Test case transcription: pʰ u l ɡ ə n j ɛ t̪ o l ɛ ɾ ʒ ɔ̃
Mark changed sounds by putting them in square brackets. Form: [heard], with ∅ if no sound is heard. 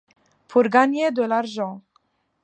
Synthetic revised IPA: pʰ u [ɾ] ɡ [a] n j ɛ [d̪] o l [a] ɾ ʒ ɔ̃